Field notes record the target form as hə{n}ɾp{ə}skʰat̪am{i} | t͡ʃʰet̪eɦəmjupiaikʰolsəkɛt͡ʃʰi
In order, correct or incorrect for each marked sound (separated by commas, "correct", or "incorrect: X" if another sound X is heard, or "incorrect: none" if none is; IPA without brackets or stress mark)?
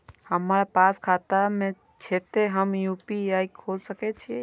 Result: incorrect: m, incorrect: a, incorrect: e